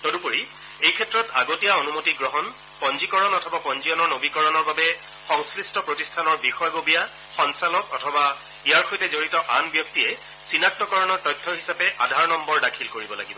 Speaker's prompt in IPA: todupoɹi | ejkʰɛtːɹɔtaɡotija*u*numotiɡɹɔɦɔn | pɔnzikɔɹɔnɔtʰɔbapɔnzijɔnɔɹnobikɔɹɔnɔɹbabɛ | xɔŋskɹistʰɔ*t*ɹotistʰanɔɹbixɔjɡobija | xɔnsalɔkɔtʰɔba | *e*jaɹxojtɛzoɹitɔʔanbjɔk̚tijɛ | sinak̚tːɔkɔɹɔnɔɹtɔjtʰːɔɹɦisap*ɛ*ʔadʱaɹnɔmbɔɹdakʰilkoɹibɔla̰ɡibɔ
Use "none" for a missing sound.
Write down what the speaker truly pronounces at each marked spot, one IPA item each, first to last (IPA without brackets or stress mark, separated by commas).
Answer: o, p, i, ɛ